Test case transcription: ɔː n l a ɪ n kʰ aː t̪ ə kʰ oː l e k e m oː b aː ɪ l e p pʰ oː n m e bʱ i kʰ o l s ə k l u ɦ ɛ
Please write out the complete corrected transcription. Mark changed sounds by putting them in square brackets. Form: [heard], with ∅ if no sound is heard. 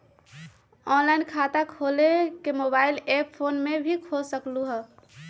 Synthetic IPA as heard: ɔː n l a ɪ n kʰ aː t̪ [a] kʰ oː l e k e m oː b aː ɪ l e p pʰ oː n m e bʱ i kʰ o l s ə k l u ɦ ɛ